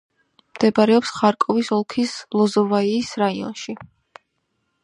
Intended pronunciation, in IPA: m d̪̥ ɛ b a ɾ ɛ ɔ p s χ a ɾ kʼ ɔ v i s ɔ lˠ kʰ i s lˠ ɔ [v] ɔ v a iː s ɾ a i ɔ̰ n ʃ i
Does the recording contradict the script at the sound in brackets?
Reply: yes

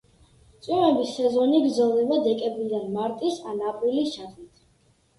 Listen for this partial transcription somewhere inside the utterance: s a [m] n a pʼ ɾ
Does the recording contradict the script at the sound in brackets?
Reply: yes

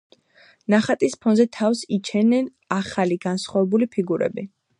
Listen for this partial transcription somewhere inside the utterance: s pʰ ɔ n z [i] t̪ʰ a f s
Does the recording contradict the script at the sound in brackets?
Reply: yes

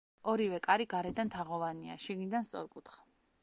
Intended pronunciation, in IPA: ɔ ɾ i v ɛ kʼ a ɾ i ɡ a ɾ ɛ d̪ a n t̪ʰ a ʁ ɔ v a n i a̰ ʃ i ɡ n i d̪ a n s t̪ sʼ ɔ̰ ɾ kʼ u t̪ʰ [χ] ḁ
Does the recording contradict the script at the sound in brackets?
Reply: no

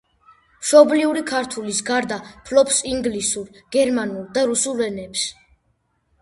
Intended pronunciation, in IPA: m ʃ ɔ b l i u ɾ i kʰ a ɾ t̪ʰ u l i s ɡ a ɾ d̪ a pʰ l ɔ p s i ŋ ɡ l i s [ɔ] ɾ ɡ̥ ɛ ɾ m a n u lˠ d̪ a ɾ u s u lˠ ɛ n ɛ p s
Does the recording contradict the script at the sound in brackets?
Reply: yes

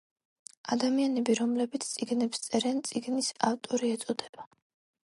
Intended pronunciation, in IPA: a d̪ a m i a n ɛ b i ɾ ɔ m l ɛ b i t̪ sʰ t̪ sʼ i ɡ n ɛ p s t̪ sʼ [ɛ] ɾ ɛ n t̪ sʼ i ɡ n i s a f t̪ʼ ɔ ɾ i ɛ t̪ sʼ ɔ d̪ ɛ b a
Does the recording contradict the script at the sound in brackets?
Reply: no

